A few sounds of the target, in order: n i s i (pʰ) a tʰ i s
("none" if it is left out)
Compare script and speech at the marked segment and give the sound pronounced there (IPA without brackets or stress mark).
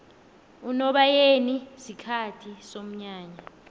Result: kʰ